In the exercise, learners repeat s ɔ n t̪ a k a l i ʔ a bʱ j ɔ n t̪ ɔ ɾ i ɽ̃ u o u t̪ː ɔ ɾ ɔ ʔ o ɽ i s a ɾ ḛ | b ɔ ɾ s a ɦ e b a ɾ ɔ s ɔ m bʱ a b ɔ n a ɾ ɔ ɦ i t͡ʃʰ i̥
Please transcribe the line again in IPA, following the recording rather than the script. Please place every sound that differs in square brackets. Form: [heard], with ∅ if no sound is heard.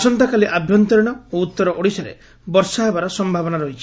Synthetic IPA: s ɔ n t̪ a k a l i ʔ a bʱ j ɔ n t̪ ɔ ɾ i ɽ̃ [ɔ] o u t̪ː ɔ ɾ ɔ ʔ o ɽ i s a ɾ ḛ | b ɔ ɾ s a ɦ e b a ɾ ɔ s ɔ m bʱ a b ɔ n a ɾ ɔ ɦ i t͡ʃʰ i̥